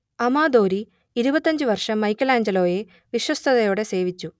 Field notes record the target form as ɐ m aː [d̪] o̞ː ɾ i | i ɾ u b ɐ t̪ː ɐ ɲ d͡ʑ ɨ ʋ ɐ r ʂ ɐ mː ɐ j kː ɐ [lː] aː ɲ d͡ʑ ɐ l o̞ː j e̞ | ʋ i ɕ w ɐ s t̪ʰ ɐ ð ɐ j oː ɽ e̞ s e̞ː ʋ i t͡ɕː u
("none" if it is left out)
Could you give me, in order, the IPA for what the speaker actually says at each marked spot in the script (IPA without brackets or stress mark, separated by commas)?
d̪, l